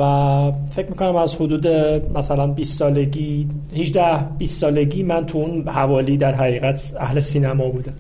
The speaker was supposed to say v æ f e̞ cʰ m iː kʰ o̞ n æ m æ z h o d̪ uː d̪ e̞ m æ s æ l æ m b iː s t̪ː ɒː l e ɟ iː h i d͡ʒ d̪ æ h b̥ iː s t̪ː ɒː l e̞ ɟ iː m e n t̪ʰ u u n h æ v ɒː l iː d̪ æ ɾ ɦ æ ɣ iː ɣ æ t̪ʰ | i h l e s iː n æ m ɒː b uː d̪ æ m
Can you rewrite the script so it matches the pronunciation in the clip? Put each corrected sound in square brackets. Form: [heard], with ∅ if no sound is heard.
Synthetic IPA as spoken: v æ f e̞ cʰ m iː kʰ o̞ n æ m æ z h o d̪ uː d̪ e̞ m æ s æ l æ [n] b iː s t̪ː ɒː l e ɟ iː h i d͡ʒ d̪ æ h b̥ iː s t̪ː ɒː l e̞ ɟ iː m [æ] n t̪ʰ u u n h æ v ɒː l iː d̪ æ ɾ ɦ æ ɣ iː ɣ æ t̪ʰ | [æ] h l e s iː n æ m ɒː b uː d̪ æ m